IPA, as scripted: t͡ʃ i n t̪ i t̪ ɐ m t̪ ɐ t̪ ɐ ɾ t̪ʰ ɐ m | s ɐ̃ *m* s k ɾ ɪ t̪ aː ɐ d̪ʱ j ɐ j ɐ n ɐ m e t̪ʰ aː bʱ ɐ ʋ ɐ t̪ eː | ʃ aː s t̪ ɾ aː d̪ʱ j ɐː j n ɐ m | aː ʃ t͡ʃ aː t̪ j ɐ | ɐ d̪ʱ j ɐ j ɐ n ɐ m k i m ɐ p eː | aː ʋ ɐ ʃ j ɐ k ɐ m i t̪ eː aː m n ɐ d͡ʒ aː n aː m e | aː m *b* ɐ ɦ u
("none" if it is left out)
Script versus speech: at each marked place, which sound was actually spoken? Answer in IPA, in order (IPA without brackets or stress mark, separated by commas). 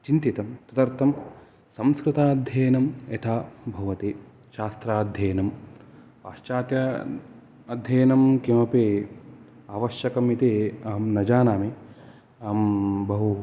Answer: m, b